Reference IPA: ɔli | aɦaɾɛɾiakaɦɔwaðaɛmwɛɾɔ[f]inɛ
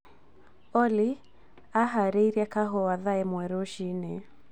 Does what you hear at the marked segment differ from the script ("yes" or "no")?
yes